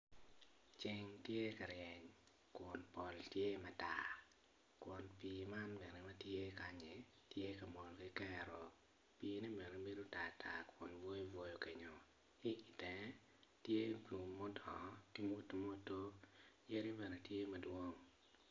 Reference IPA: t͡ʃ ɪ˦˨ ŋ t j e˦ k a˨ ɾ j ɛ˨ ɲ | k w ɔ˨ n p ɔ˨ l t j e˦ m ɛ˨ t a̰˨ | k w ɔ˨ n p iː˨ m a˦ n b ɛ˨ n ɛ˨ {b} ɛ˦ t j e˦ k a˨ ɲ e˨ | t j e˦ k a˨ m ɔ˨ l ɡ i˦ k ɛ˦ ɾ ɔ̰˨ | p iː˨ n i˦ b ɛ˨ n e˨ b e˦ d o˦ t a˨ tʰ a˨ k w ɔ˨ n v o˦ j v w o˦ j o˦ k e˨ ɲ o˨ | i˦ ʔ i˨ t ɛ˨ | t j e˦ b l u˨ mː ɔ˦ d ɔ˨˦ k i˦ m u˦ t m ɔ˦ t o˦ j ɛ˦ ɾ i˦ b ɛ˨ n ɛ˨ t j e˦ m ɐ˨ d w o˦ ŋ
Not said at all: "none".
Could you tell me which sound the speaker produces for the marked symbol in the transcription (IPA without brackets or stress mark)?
m